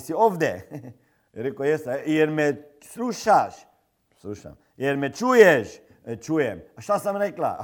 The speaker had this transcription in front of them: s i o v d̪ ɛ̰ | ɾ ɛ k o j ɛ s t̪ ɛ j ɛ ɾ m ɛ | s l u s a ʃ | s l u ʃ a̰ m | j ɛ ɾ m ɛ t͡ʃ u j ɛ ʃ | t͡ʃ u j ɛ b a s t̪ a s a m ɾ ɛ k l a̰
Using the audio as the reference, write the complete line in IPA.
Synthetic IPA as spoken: s i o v d̪ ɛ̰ | ɾ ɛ k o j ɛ s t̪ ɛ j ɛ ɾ m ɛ | s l u ʃ a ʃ | s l u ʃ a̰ m | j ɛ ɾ m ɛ t͡ʃ u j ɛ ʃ | t͡ʃ u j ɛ m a ʃ t̪ a s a m ɾ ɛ k l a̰